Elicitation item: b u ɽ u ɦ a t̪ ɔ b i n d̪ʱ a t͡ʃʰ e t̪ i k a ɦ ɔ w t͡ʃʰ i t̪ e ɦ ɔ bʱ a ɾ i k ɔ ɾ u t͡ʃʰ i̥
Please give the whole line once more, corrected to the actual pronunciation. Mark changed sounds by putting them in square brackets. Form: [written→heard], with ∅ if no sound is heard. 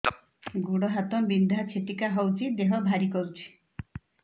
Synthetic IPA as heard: [b→ɡ] u ɽ [u→ɔ] ɦ a t̪ ɔ b i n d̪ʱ a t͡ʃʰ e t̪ i k a ɦ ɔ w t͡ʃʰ i [t̪→d̪] e ɦ ɔ bʱ a ɾ i k ɔ ɾ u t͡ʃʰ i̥